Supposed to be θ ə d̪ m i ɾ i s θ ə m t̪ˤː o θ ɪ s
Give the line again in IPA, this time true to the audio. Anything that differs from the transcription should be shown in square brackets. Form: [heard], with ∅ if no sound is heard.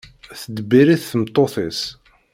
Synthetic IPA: θ ə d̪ [b] i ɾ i [θ] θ ə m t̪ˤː o θ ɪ s